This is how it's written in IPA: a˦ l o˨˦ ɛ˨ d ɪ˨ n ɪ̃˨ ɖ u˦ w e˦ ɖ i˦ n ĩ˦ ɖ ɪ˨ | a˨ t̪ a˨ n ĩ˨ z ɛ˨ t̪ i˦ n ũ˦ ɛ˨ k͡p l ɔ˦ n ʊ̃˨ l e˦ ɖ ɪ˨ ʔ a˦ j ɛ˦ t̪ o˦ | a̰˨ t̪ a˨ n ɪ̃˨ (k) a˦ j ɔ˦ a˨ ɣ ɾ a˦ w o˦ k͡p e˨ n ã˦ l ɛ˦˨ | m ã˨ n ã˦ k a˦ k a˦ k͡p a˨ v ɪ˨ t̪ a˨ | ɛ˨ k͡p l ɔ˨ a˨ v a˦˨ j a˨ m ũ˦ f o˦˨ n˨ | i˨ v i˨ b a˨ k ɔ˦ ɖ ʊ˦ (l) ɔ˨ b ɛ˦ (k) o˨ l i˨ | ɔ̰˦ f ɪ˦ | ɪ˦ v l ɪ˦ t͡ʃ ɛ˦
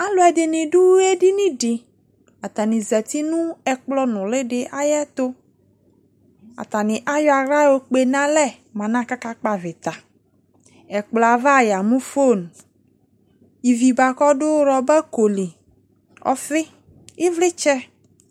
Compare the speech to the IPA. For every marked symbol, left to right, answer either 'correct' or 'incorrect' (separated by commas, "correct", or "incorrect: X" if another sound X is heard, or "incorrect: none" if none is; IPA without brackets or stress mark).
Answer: incorrect: ʔ, incorrect: ɾ, correct